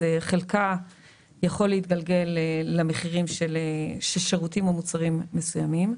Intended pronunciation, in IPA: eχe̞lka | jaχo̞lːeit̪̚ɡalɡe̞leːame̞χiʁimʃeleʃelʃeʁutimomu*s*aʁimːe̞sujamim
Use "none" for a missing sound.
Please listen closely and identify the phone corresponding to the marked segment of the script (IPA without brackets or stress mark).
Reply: t͡s